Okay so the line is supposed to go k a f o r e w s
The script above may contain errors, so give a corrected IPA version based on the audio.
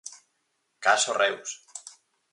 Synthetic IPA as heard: k a s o r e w s